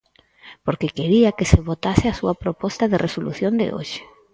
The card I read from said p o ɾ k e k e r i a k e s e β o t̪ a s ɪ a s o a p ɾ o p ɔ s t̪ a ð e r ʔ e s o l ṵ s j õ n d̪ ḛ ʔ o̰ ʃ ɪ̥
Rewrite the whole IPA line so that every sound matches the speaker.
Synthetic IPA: p o ɾ k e k e ɾ i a k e s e β o t̪ a s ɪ a s u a p ɾ o p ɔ s t̪ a ð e r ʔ e s o l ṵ θ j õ n d̪ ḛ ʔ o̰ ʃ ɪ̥